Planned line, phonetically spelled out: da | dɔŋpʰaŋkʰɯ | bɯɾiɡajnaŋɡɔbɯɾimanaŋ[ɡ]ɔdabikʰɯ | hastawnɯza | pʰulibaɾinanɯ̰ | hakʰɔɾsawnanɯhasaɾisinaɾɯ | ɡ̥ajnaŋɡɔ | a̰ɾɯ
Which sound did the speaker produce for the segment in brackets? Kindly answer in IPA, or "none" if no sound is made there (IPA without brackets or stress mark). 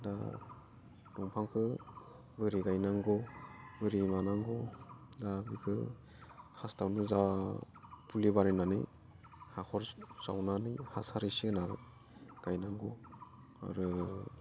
ɡ